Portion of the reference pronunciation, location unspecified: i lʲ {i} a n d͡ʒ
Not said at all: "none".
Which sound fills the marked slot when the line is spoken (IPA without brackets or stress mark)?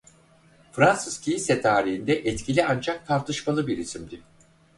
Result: i